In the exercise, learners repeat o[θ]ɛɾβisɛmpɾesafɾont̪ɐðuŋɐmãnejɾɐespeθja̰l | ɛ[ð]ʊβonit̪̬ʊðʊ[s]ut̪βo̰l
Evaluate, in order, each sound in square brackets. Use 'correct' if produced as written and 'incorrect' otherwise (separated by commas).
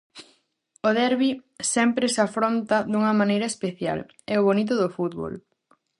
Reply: incorrect, incorrect, incorrect